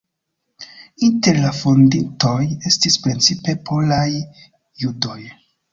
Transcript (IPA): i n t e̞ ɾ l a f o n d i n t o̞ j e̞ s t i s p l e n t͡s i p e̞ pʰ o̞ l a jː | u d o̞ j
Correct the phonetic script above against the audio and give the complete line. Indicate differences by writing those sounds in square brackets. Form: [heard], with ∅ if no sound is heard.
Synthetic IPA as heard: i n t e̞ ɾ l a f o n d i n t o̞ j e̞ s t i s p [ɾ] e n t͡s i p e̞ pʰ o̞ l a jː | u d o̞ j